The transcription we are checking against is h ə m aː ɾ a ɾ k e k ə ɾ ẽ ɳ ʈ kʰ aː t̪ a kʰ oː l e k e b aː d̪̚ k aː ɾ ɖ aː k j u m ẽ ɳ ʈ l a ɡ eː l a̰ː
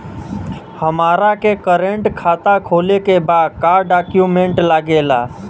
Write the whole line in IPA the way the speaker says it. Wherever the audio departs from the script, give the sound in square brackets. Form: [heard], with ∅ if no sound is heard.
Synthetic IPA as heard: h ə m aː ɾ a [∅] k e k ə ɾ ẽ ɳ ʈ kʰ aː t̪ a kʰ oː l e k e b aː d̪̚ k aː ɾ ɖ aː k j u m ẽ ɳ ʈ l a ɡ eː l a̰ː